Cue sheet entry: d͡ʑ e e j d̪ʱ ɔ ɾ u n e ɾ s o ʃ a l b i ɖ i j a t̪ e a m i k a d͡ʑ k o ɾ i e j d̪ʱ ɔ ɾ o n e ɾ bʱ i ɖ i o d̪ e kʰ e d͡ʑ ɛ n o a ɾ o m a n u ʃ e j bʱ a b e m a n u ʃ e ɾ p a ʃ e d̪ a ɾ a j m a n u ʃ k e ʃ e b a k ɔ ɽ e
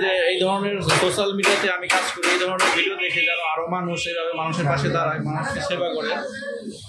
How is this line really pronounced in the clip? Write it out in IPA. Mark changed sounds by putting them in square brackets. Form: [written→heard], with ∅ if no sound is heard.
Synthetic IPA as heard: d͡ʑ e e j d̪ʱ ɔ ɾ [u→o] n e ɾ s o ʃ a l [b→m] i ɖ i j a t̪ e a m i k a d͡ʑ k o ɾ i e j d̪ʱ ɔ ɾ o n e ɾ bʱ i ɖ i o d̪ e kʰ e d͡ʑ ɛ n o a ɾ o m a n u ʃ e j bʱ a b e m a n u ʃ e ɾ p a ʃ e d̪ a ɾ a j m a n u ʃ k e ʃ e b a k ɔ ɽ e